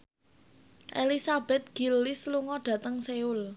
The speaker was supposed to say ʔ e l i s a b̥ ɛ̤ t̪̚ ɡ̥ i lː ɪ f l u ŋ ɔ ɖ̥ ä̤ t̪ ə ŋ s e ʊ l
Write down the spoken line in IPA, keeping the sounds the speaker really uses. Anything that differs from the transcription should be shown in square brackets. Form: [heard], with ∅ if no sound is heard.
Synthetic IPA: ʔ e l i s a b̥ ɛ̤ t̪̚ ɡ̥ i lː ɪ [s] l u ŋ ɔ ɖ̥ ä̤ t̪ ə ŋ s e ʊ l